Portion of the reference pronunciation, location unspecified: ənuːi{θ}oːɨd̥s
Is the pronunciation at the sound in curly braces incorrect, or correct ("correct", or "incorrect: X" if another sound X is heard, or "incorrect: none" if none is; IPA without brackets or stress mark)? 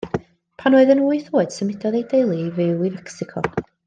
correct